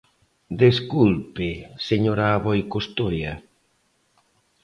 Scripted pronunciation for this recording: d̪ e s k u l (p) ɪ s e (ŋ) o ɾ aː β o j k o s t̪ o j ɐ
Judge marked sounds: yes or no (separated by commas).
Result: yes, no